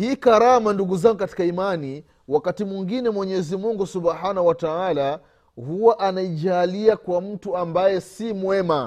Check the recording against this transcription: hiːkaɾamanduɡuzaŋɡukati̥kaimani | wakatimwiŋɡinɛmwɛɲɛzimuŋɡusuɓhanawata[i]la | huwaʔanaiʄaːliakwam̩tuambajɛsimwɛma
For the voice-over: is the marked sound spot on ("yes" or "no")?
no